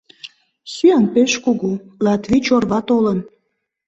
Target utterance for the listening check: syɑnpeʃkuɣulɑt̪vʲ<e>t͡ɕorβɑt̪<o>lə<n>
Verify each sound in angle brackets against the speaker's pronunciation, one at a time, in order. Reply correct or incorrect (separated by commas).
incorrect, correct, correct